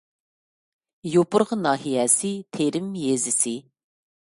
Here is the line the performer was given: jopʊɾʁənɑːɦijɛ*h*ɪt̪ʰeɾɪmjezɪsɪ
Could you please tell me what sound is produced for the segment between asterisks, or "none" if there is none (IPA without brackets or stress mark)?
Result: s